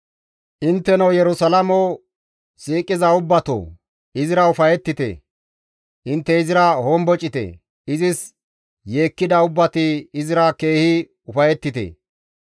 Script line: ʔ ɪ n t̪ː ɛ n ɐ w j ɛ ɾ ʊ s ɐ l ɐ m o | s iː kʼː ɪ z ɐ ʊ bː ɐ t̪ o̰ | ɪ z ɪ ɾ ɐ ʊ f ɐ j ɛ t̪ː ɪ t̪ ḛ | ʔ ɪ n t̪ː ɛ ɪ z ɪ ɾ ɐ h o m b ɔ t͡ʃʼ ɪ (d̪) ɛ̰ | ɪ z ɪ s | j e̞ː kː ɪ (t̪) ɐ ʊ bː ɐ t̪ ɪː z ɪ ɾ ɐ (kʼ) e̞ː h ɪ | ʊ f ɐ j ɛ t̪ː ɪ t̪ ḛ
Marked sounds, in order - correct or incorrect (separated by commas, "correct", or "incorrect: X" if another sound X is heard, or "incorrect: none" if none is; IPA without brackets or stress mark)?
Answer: incorrect: t̪, incorrect: d̪, incorrect: k